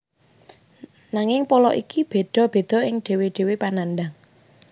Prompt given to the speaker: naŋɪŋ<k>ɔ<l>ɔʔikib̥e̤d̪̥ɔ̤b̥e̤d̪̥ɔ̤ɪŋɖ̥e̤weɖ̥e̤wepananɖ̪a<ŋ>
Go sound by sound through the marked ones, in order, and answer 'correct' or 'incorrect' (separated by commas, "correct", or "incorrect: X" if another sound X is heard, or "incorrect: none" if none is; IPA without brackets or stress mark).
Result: incorrect: p, correct, correct